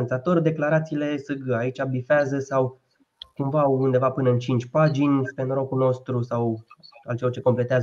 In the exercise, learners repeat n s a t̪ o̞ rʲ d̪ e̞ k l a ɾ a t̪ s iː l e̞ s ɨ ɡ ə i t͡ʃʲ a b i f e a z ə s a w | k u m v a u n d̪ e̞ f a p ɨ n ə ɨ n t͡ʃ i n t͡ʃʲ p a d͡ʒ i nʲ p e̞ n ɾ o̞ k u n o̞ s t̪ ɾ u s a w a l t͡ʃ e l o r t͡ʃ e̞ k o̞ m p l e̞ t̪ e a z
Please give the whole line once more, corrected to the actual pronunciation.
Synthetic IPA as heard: n s a t̪ o̞ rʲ d̪ e̞ k l a ɾ a t̪ s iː l e̞ s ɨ ɡ a i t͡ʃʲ a b i f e a z ə s a w | k u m v a u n d̪ e̞ v a p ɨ n ə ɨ n t͡ʃ i n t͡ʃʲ p a d͡ʒ i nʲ p e̞ n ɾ o̞ k u n o̞ s t̪ ɾ u s a w a l t͡ʃ e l o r t͡ʃ e̞ k o̞ m p l e̞ t̪ e a z